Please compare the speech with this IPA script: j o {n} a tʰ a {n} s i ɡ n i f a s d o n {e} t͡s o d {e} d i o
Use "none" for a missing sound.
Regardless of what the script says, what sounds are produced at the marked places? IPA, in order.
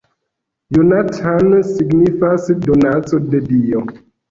n, n, a, e

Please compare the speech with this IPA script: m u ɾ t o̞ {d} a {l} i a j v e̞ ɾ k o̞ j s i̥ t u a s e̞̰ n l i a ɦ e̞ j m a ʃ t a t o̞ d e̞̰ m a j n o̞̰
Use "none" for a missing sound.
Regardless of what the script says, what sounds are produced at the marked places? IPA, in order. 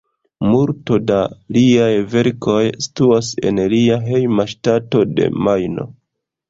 d, l

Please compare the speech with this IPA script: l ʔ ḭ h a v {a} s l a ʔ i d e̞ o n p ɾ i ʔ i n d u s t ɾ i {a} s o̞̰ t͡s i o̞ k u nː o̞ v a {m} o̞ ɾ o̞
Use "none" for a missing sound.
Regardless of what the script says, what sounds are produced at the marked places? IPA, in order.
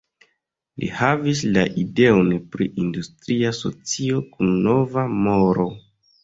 i, a, m

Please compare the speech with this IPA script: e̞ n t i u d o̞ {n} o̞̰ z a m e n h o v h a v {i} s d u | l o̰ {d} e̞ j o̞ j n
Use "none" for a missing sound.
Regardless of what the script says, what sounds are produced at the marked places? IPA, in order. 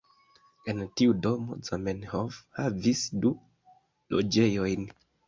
m, i, d͡ʒ

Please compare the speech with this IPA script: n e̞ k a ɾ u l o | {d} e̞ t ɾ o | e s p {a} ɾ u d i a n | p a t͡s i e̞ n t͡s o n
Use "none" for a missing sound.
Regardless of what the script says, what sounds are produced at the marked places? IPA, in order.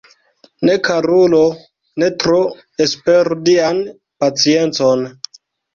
n, e

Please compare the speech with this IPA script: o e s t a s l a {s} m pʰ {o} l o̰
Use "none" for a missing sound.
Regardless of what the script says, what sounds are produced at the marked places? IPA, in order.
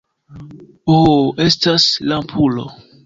none, u

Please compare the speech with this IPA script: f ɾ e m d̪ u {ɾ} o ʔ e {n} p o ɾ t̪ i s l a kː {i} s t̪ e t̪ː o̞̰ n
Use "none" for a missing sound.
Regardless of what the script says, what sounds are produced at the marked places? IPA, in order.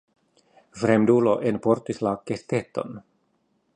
l, n, e

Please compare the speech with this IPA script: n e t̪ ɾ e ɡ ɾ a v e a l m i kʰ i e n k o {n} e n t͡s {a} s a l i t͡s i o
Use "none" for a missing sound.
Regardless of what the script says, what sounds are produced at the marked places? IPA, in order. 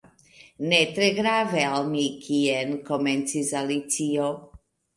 m, i

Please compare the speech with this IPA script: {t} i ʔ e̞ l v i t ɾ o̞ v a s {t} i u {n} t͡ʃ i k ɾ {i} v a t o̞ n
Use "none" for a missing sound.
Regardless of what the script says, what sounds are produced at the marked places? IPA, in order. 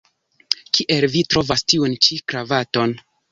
k, t, n, a

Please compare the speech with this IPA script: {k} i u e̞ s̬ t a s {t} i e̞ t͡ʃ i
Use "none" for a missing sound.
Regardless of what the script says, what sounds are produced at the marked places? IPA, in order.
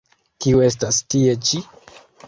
k, t

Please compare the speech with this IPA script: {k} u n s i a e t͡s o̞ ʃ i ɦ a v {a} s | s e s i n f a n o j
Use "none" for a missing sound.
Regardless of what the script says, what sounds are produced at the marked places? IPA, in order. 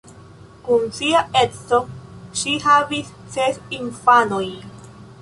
k, i

